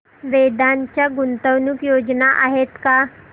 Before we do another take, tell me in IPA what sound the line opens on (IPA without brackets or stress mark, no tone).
ʋ